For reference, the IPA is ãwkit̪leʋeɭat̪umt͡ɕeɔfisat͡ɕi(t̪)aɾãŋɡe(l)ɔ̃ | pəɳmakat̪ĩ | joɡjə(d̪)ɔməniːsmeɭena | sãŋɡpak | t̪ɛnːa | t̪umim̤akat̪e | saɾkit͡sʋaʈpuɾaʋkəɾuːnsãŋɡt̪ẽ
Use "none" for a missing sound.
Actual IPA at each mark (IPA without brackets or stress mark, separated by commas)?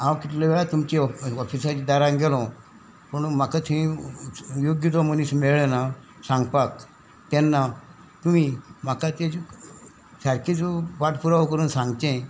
d̪, l, t̪